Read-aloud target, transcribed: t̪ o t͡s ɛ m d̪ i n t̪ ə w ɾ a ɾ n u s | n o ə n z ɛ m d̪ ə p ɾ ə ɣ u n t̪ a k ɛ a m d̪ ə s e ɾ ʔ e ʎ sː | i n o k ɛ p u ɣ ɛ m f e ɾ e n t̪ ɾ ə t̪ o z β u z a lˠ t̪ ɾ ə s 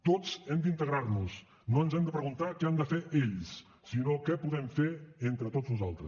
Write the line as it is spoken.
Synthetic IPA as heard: t̪ o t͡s ɛ m d̪ i n t̪ ə ɣ ɾ a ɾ n u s | n o ə n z ɛ m d̪ ə p ɾ ə ɣ u n t̪ a k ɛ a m d̪ ə f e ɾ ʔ e ʎ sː | i n o k ɛ p u ð ɛ m f e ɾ e n t̪ ɾ ə t̪ o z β u z a lˠ t̪ ɾ ə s

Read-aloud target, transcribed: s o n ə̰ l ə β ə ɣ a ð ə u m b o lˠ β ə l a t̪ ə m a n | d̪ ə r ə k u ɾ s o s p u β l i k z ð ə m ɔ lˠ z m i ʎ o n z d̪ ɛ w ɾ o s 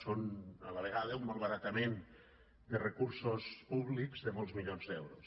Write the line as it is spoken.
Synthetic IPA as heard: s o n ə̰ l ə β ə ɣ a ð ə u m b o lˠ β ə ɾ a t̪ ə m e n | d̪ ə r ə k u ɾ s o s p u β l i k z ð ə m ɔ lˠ z m i ʎ o n z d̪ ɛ w ɾ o s

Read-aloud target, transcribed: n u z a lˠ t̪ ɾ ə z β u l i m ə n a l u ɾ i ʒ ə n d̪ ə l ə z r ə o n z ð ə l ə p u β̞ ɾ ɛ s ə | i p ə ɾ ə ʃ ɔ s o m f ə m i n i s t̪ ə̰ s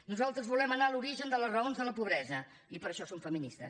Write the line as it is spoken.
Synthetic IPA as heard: n u z a lˠ t̪ ɾ ə z β u l ɛ m ə n a l u ɾ i ʒ ə n d̪ ə l ə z r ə o n z ð ə l ə p u β̞ ɾ ɛ z ə | i p ə ɾ ə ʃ ɔ s o m f ə m i n i s t̪ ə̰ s

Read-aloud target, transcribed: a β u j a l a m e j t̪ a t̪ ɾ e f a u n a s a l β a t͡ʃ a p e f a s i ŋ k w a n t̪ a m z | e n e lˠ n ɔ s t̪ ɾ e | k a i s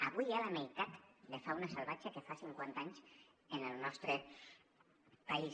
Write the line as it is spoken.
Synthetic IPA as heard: a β u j a l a m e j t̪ a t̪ l e f a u n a s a l β a t͡ʃ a k e f a s i ŋ k w a n t̪ a ɲ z | e n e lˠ n ɔ s t̪ ɾ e | p a i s

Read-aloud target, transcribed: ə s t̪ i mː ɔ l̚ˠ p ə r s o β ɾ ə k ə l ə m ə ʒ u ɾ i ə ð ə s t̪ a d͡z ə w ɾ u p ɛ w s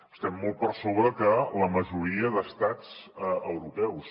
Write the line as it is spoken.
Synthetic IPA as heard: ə s t̪ ɛ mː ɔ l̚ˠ p ə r s o β ɾ ə k ə l ə m ə ʒ u ɾ i ə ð ə s t̪ a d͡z ə w ɾ u p ɛ w s

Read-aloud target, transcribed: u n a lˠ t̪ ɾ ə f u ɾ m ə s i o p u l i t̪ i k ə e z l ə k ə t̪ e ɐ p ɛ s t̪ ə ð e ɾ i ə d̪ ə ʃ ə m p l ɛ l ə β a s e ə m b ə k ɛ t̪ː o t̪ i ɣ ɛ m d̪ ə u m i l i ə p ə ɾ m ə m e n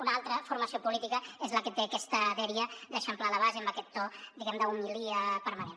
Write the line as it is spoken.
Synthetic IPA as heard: u n a lˠ t̪ ɾ ə f u ɾ m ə s i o p u l i t̪ i k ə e z l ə k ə t̪ e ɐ k ɛ s t̪ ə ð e ɾ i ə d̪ ə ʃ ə m p l a l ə β a z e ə m b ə k ɛ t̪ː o d̪ i ɣ ɛ m d̪ ə u m i l i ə p ə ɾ m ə n e n

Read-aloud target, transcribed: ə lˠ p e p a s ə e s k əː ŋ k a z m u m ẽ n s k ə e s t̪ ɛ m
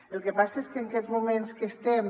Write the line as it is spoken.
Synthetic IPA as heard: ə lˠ k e p a s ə e s k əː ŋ k ɛ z m u m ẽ n s k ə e s t̪ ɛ m

